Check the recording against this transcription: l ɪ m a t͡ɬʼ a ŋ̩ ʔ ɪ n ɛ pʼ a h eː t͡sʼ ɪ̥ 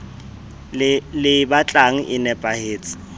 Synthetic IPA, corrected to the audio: l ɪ b a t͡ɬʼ a ŋ̩ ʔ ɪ n ɛ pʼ a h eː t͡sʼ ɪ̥